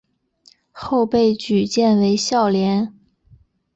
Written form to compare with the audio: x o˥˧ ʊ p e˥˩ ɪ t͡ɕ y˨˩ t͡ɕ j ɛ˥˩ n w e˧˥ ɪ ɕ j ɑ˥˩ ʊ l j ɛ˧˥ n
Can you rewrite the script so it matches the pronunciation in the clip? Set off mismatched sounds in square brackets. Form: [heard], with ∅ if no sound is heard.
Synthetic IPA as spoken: x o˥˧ ʊ p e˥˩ ɪ t͡ɕ y˨˩ t͡ɕ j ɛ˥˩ n w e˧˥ ɪ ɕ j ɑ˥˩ ʊ l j ɛ˧˥ n